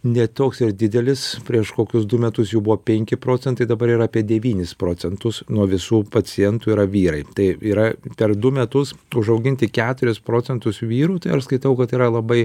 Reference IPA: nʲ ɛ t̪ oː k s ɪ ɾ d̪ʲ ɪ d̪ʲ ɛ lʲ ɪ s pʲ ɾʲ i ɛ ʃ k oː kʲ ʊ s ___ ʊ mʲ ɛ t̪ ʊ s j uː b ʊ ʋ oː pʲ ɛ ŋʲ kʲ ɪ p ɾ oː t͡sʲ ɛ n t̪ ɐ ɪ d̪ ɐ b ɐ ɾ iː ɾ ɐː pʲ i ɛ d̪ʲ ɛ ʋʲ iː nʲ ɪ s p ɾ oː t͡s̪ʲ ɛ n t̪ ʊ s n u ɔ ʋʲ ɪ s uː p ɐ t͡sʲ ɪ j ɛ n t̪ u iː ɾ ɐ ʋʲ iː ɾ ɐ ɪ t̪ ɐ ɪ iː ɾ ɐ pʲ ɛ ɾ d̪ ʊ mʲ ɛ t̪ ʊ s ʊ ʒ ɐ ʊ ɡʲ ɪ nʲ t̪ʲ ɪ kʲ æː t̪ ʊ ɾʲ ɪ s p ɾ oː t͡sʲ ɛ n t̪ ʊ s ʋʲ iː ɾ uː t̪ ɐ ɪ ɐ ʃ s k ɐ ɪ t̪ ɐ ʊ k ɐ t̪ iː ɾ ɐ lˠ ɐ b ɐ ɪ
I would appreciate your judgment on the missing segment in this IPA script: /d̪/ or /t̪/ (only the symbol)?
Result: d̪